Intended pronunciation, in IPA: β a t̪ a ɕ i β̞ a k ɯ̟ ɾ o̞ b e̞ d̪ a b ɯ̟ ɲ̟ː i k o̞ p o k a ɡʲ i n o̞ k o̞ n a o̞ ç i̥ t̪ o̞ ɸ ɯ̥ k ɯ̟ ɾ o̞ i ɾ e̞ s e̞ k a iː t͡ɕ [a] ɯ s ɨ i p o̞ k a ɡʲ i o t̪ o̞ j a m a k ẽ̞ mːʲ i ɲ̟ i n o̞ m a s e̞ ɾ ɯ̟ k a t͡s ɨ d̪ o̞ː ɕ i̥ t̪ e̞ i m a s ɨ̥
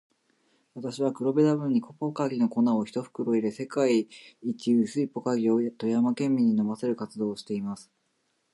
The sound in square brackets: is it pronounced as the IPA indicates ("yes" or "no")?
no